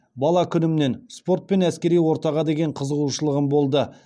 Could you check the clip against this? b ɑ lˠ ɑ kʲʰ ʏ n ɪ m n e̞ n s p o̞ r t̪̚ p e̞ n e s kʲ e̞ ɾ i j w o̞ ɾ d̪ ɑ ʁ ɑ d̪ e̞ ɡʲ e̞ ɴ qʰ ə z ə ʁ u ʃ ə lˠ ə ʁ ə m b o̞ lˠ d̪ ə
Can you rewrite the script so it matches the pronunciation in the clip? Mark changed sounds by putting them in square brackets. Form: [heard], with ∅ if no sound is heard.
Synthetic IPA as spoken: b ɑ lˠ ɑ kʲʰ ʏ n ɪ m n e̞ n s p o̞ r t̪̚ p e̞ n [æ] s kʲ e̞ ɾ i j w o̞ ɾ [t̪] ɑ ʁ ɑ d̪ e̞ ɡʲ e̞ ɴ qʰ ə z ə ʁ u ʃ ə lˠ ə ʁ ə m b o̞ lˠ d̪ ə